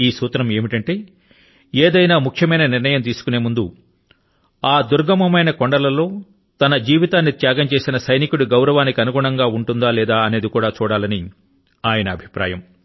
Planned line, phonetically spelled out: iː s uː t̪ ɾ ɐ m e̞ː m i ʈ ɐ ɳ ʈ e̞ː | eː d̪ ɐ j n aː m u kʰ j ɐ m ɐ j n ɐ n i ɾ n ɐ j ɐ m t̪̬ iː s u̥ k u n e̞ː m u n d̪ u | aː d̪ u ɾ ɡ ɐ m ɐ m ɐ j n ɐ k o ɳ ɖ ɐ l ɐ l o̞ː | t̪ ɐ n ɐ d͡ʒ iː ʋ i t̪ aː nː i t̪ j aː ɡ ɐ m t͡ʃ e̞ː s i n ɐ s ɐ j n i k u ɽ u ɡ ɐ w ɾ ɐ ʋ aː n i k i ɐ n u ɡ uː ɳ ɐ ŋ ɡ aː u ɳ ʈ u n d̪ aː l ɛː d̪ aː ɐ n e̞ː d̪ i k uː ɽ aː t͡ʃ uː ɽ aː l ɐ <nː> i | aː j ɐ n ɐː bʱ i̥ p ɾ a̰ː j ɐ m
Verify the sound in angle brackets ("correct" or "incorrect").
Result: incorrect